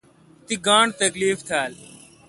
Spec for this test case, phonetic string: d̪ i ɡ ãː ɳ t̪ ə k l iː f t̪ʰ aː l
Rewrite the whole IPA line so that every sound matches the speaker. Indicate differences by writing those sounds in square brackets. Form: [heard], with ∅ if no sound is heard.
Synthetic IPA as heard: [t̪] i ɡ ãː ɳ t̪ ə k l iː f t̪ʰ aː l